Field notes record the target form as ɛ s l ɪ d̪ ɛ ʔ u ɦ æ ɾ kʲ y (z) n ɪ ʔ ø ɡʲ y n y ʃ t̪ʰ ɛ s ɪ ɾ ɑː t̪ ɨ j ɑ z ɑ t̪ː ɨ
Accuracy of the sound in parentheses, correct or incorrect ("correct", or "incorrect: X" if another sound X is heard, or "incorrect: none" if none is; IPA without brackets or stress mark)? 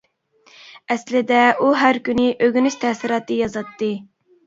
incorrect: none